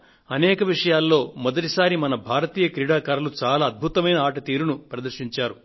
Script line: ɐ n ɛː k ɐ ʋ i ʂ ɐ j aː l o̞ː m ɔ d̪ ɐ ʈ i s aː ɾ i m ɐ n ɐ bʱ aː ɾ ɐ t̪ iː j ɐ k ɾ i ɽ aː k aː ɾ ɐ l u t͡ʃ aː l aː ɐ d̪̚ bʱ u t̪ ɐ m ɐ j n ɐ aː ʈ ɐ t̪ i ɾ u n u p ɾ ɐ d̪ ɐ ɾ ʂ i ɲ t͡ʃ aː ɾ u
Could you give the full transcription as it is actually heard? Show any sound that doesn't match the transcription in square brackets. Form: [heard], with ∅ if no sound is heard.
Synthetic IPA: ɐ n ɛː k ɐ ʋ i ʂ ɐ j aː [lː] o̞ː m ɔ d̪ ɐ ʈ i s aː ɾ i m ɐ n ɐ bʱ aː ɾ ɐ t̪ iː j ɐ k ɾ i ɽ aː k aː ɾ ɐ l u t͡ʃ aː l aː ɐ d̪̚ bʱ u t̪ ɐ m ɐ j n ɐ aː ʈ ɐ t̪ [iː] ɾ u n u p ɾ ɐ d̪ ɐ ɾ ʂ i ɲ t͡ʃ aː ɾ u

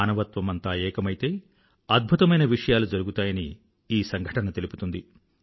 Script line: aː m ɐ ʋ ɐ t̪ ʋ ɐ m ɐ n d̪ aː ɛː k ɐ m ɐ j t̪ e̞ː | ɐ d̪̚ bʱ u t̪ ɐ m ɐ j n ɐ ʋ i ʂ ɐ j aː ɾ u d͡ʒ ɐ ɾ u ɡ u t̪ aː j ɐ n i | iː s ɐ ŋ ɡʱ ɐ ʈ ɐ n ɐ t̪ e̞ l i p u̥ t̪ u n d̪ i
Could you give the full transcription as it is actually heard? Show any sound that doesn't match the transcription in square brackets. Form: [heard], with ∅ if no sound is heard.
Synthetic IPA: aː [n] ɐ ʋ ɐ t̪ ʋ ɐ m ɐ n [t̪] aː ɛː k ɐ m ɐ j t̪ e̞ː | ɐ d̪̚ bʱ u t̪ ɐ m ɐ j n ɐ ʋ i ʂ ɐ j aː [l] u d͡ʒ ɐ ɾ u ɡ u t̪ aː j ɐ n i | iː s ɐ ŋ ɡʱ ɐ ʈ ɐ n ɐ t̪ e̞ l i p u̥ t̪ u n d̪ i

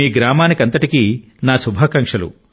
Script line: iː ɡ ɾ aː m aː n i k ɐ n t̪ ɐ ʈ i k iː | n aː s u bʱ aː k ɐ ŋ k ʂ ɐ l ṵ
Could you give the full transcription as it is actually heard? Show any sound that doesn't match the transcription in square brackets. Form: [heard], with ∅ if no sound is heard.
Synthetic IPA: iː ɡ ɾ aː m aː n i k ɐ n t̪ ɐ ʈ i k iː | n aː s u bʱ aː k ɐ ŋ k ʂ ɐ l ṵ

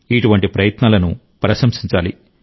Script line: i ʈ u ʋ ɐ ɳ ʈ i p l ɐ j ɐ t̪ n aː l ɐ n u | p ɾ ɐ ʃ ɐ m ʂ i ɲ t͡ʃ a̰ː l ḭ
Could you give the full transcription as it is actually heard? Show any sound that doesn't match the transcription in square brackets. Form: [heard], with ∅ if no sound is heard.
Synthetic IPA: i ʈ u ʋ ɐ ɳ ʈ i p [ɾ] ɐ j ɐ t̪ n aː l ɐ n u | p ɾ ɐ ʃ ɐ m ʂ i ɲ t͡ʃ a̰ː l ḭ

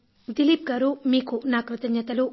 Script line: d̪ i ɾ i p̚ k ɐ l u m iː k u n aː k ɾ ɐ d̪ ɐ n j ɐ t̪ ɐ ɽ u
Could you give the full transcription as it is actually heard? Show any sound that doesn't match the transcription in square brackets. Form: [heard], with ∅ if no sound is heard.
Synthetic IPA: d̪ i [l] i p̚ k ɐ [ɾ] u m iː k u n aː k ɾ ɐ [t̪] ɐ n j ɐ t̪ ɐ [l] u

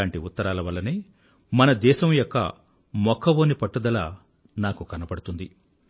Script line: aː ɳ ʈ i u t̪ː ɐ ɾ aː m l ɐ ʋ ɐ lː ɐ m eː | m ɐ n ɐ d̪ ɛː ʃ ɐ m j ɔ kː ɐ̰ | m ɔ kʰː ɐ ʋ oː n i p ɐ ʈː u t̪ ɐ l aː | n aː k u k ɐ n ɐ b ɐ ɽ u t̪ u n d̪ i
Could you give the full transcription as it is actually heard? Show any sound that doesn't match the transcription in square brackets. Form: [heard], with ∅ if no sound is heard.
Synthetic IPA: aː ɳ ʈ i u t̪ː ɐ ɾ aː [∅] l ɐ ʋ ɐ lː ɐ [n] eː | m ɐ n ɐ d̪ ɛː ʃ ɐ m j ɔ kː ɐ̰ | m ɔ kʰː ɐ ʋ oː n i p ɐ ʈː u [d̪] ɐ l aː | n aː k u k ɐ n ɐ [p] ɐ ɽ u t̪ u n d̪ i

